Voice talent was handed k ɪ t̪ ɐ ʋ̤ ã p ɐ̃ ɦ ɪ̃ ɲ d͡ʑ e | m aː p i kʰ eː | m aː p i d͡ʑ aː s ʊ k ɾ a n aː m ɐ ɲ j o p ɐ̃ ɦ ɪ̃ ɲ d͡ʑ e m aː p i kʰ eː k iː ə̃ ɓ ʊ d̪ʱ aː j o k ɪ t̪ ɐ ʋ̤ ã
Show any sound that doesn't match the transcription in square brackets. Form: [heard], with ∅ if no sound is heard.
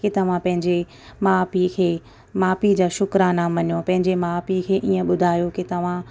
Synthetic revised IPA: k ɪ t̪ ɐ ʋ̤ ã p ɐ̃ ɦ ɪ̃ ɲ d͡ʑ e | m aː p i kʰ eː | m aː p i d͡ʑ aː [ʃ] ʊ k ɾ a n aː m ɐ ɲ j o p ɐ̃ ɦ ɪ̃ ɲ d͡ʑ e m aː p i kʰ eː [ʔ] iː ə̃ ɓ ʊ d̪ʱ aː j o k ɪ t̪ ɐ ʋ̤ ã